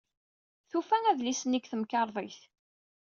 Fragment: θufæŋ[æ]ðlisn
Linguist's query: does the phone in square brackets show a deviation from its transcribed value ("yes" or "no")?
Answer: no